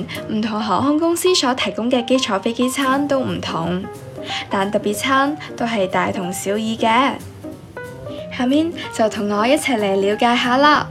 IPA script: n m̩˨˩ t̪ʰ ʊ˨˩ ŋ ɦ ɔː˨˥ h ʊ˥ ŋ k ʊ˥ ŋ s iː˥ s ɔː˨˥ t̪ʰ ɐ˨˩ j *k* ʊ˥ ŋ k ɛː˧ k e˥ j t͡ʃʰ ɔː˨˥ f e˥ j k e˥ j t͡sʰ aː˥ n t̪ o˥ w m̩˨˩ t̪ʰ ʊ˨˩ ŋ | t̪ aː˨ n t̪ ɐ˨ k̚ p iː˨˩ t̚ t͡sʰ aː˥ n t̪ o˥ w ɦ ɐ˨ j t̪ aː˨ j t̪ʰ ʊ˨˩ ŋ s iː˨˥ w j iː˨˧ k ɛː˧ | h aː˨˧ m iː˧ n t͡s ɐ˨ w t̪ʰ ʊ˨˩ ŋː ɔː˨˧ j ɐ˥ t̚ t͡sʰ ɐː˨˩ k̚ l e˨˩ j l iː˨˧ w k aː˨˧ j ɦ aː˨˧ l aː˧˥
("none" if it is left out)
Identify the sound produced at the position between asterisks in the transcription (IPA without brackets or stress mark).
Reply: k